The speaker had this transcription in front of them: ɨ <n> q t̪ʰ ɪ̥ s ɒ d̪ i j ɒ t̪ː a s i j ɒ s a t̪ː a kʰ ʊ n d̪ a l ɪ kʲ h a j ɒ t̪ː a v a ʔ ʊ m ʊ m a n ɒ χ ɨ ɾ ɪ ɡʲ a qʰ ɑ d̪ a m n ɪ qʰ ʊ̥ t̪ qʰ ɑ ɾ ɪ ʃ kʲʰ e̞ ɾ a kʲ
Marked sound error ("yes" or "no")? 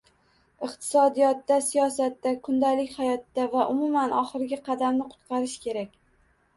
yes